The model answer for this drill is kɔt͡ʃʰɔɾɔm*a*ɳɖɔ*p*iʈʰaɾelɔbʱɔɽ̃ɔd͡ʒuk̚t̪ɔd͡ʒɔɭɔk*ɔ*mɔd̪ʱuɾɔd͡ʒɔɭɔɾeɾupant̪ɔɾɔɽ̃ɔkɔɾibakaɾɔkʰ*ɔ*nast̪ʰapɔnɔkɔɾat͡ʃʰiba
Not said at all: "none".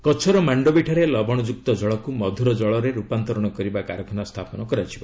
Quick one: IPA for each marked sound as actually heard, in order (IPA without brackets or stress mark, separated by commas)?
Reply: a, b, u, ɔ